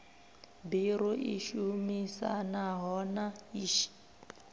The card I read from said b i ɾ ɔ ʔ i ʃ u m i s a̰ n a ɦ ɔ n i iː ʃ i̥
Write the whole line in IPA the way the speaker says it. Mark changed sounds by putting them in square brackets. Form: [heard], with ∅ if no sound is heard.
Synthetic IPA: b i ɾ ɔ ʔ i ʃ u m i s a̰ n a ɦ ɔ n [a] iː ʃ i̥